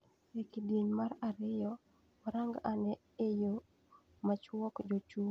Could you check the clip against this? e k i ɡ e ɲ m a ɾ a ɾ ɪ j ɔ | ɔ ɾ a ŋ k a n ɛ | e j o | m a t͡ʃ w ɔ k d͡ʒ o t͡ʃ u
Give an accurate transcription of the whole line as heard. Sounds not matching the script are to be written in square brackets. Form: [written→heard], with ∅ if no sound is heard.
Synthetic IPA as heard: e k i [ɡ→d] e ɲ m a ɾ a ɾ ɪ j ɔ | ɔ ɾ a ŋ [k→ɡ] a n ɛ | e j o | m a t͡ʃ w ɔ k d͡ʒ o t͡ʃ u